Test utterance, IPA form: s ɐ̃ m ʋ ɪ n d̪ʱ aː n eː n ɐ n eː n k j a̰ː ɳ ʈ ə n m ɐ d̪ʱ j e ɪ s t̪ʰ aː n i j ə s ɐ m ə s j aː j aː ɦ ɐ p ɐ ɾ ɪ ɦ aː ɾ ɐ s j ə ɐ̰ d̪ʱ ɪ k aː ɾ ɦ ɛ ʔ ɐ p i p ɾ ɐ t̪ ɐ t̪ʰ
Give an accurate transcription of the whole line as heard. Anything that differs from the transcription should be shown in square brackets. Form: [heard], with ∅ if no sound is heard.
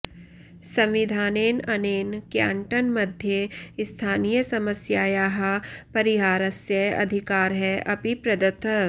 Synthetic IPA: s ɐ̃ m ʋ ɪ [∅] d̪ʱ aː n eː n ɐ n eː n k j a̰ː ɳ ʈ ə n m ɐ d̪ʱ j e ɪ s t̪ʰ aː n i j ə s ɐ m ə s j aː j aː ɦ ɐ p ɐ ɾ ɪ ɦ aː ɾ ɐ s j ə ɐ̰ d̪ʱ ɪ k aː ɾ ɦ ɛ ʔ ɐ p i p ɾ ɐ [d̪] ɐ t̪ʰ